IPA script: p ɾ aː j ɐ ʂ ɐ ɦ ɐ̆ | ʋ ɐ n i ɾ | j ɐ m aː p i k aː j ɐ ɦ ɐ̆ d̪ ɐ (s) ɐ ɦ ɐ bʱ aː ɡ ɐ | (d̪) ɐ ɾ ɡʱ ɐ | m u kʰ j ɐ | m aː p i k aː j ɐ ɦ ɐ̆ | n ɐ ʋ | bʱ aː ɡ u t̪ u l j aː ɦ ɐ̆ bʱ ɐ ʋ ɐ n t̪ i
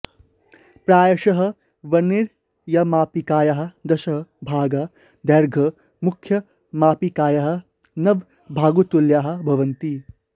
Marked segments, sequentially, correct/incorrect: incorrect: ʃ, correct

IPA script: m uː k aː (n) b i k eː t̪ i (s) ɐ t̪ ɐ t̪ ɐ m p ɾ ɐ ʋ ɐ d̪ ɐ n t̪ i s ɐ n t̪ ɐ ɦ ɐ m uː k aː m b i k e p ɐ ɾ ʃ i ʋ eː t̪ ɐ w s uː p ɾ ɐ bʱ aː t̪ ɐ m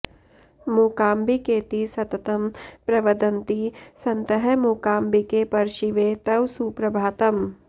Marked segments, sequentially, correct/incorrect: incorrect: m, correct

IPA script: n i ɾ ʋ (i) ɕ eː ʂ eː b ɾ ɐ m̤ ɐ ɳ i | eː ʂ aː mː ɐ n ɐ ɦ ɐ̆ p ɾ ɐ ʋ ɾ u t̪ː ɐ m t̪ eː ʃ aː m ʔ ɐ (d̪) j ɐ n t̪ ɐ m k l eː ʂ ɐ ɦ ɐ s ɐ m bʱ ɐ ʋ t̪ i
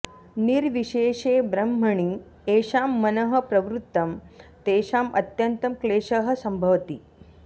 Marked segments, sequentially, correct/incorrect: correct, incorrect: t̪

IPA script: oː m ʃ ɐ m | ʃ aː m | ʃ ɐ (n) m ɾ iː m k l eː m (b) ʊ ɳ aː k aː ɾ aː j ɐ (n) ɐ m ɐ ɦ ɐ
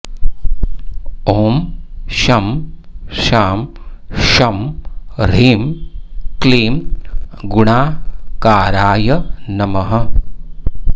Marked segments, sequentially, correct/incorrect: incorrect: none, incorrect: ɡ, correct

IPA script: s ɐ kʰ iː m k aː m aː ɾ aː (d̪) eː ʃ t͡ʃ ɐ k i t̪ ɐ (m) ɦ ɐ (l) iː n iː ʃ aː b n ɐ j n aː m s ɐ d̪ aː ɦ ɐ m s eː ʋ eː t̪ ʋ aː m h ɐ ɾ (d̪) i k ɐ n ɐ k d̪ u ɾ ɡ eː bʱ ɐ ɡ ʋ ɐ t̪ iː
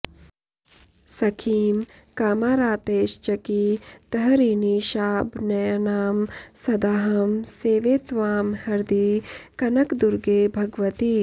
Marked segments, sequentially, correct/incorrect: incorrect: t̪, incorrect: none, incorrect: ɾ, correct

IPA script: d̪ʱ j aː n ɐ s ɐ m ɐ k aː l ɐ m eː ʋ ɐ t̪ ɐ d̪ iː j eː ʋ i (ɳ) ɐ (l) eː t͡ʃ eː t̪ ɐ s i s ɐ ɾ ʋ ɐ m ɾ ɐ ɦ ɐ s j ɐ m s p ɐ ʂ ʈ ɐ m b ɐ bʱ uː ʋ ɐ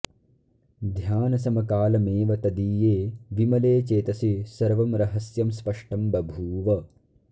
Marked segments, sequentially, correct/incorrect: incorrect: m, correct

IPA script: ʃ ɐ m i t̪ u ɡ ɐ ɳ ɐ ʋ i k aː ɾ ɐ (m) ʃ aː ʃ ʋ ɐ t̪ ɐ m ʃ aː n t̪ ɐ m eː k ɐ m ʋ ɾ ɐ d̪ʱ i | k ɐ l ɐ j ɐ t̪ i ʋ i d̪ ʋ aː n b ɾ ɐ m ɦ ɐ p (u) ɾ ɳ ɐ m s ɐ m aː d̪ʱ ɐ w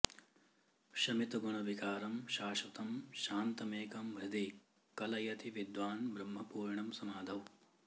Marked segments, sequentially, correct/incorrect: correct, incorrect: uː

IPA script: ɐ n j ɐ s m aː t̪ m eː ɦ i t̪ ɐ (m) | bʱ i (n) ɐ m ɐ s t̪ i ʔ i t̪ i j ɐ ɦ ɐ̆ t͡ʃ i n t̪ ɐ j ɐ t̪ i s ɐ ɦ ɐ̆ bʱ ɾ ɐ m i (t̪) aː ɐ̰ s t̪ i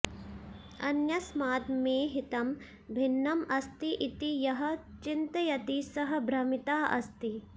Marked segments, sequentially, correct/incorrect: correct, incorrect: nː, correct

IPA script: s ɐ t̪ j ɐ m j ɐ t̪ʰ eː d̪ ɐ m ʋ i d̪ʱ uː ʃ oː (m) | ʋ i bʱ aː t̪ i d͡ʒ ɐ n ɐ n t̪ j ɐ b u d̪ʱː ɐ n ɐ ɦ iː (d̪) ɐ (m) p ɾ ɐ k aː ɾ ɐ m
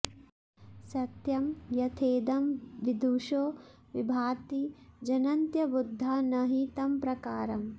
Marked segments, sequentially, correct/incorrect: incorrect: none, incorrect: t̪, correct

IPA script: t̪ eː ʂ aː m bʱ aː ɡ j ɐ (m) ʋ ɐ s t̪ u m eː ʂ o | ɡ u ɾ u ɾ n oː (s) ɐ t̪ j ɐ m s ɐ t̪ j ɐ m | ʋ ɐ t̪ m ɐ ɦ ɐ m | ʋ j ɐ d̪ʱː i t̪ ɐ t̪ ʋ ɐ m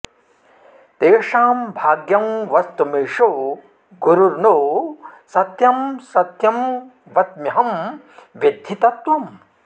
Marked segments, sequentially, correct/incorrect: correct, correct

